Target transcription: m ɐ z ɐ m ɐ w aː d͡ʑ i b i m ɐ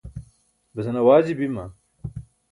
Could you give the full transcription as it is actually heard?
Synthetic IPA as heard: b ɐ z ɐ n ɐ w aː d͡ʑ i b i m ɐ